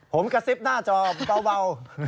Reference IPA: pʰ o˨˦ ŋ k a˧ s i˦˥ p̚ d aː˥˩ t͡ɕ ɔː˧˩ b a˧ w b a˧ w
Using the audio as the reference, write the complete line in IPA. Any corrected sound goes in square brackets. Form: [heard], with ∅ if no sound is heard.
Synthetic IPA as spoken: pʰ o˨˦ [m] k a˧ s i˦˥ p̚ [n] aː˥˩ t͡ɕ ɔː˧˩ b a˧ w b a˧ w